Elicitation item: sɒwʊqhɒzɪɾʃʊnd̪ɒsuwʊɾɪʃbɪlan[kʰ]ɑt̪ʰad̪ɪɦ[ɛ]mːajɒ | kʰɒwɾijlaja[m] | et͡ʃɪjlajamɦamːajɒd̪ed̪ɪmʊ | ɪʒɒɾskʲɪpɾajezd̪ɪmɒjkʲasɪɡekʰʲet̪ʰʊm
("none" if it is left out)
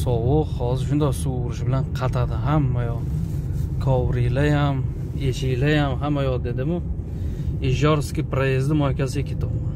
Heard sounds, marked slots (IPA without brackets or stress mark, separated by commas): qʰ, a, m